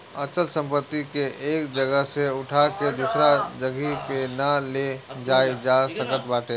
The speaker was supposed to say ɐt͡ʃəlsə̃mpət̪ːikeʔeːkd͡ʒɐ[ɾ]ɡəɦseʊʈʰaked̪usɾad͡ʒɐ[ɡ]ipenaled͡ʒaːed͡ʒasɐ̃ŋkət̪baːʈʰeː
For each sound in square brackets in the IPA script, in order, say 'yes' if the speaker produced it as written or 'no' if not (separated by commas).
no, yes